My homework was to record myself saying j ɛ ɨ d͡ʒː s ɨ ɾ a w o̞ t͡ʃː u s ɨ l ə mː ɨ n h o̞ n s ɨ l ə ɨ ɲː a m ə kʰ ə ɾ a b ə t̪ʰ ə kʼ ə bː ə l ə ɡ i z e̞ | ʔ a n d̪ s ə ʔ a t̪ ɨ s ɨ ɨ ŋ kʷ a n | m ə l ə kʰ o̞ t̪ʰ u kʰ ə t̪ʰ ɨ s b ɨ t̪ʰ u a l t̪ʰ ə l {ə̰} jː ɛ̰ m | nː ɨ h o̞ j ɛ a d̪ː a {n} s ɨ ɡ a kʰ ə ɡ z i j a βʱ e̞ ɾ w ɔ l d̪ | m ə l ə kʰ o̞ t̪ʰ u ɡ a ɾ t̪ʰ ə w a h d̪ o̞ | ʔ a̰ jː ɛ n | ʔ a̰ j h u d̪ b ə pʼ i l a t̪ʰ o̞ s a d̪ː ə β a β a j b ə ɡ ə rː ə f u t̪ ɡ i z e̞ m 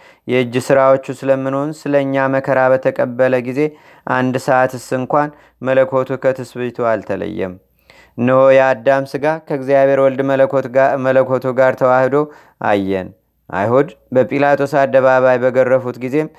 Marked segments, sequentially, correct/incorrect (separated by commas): correct, incorrect